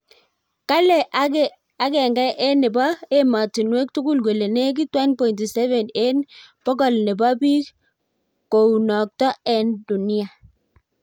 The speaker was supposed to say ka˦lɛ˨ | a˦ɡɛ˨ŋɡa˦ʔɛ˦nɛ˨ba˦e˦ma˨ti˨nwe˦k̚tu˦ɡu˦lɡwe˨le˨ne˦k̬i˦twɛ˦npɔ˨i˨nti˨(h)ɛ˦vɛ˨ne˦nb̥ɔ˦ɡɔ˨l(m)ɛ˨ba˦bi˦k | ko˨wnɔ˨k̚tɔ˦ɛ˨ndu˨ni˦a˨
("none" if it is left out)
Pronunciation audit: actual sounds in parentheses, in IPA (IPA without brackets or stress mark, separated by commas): s, n